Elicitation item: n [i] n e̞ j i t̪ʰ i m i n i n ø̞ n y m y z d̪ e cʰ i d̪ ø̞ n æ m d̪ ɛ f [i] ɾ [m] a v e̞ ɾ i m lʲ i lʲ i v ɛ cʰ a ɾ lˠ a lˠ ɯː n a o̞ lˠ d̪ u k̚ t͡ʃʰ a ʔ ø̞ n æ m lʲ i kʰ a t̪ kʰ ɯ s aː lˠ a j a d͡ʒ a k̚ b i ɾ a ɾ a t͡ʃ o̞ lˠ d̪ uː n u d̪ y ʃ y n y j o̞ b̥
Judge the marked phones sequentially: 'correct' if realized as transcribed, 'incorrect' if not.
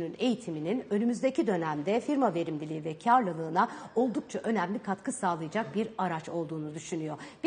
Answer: incorrect: y, correct, correct

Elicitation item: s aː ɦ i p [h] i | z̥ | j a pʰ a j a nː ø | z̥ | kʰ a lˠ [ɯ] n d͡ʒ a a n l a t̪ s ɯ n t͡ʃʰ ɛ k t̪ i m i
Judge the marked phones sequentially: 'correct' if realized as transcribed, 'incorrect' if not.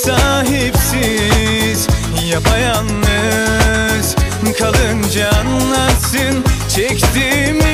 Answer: incorrect: s, correct

